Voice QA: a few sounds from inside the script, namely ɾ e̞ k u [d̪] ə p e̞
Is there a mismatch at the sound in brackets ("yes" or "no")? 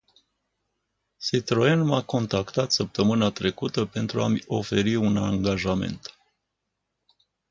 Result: yes